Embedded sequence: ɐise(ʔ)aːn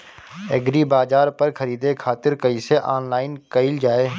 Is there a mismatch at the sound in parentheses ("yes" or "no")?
no